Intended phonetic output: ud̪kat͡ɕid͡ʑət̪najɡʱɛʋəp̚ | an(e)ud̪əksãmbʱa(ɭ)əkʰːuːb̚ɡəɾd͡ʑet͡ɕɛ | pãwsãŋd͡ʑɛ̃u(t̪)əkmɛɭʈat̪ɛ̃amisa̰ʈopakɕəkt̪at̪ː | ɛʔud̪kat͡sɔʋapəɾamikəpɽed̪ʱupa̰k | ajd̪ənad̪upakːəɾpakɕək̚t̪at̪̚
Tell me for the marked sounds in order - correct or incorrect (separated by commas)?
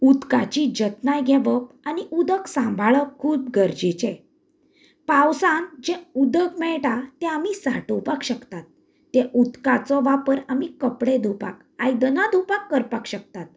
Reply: incorrect, correct, incorrect